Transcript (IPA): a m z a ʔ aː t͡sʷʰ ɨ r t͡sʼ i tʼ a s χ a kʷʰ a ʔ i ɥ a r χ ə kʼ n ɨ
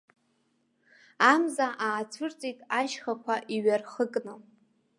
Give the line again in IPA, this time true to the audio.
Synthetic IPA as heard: a m z a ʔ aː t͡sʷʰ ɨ r t͡sʼ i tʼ a ʃ χ a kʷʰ a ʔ i ɥ a r χ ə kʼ n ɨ